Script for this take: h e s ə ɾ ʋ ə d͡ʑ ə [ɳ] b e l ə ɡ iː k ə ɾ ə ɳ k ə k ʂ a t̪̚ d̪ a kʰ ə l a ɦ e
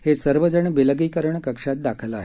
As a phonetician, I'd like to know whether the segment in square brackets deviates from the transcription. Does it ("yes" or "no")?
no